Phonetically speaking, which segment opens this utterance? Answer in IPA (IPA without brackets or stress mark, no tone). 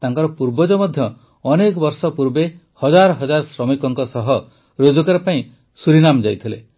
t̪